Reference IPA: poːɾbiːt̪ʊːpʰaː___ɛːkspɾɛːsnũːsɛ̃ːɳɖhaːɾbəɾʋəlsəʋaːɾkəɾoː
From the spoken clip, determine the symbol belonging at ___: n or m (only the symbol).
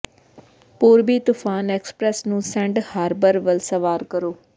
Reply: n